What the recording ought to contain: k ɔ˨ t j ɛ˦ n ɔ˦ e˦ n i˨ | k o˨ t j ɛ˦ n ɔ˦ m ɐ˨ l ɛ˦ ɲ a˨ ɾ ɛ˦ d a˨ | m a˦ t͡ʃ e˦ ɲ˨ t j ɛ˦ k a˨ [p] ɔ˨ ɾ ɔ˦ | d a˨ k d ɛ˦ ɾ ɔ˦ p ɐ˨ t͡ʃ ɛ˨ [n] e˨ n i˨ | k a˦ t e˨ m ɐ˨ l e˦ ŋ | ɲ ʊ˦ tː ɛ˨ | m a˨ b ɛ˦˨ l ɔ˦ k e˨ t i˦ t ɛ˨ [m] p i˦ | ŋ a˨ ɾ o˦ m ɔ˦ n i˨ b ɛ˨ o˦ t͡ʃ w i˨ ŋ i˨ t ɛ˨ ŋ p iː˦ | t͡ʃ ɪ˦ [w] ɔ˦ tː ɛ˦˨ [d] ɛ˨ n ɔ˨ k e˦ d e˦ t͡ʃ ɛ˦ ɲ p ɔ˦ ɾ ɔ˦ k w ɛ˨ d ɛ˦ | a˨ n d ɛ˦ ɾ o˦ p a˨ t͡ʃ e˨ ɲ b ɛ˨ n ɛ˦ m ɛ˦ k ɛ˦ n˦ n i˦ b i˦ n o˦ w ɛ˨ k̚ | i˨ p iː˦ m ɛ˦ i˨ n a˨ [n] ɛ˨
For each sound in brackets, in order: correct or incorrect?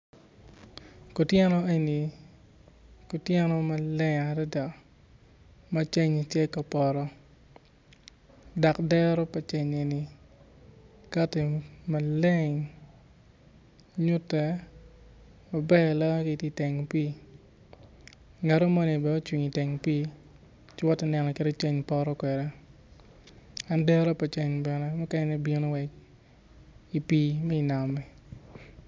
correct, incorrect: ɲ, incorrect: ŋ, correct, incorrect: n, incorrect: m

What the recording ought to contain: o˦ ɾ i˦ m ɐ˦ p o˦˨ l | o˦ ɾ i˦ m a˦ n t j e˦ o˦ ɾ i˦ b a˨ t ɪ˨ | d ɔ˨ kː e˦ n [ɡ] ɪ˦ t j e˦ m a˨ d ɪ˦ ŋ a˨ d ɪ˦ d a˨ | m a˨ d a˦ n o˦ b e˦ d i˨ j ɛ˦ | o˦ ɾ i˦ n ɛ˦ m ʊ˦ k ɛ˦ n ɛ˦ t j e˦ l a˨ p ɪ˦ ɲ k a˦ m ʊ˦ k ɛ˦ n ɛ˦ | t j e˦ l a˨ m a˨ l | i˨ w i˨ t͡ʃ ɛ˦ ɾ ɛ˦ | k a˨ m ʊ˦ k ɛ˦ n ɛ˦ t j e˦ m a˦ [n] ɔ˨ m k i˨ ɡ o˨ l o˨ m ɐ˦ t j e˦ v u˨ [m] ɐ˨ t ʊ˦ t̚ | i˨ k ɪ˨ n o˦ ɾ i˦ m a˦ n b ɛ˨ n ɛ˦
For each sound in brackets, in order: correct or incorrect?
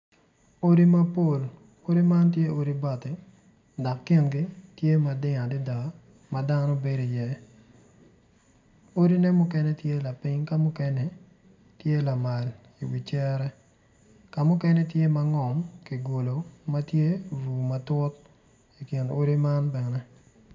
correct, incorrect: ŋ, correct

